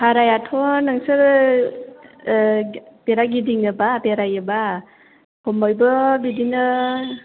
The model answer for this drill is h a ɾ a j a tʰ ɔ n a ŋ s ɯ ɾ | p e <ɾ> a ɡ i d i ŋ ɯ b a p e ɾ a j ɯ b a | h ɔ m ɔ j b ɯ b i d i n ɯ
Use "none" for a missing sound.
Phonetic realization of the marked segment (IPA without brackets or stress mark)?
ɾ